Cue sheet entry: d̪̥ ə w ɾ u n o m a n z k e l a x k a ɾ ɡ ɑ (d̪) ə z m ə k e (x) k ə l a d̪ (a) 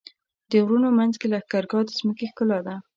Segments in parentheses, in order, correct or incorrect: correct, correct, correct

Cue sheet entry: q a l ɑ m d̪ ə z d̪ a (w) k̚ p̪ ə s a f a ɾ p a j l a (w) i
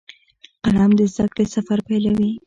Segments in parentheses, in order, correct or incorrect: incorrect, correct

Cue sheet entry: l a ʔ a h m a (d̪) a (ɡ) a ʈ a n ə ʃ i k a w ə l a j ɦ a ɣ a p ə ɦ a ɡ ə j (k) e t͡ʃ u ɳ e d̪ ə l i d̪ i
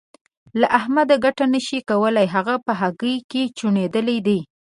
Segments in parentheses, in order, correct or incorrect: correct, correct, correct

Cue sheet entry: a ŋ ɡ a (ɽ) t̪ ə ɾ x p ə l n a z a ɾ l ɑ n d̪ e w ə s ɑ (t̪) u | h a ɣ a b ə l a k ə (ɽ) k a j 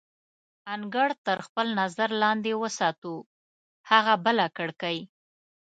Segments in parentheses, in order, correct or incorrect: correct, correct, correct

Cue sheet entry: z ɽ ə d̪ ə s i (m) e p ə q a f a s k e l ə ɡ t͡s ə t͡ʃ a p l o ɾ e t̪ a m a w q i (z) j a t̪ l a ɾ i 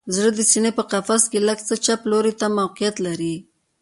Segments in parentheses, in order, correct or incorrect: incorrect, incorrect

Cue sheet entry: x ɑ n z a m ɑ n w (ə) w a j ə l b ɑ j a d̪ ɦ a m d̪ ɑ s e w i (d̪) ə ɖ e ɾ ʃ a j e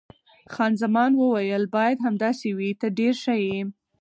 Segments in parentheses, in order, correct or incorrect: correct, incorrect

